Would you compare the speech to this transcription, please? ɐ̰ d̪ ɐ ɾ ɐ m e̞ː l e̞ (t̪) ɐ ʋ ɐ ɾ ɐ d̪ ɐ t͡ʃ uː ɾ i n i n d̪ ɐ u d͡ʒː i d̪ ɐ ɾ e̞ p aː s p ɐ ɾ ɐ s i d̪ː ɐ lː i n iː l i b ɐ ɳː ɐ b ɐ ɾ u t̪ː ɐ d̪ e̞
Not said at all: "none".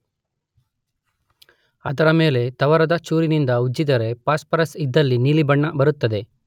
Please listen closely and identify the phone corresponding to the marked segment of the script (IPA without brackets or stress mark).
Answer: t̪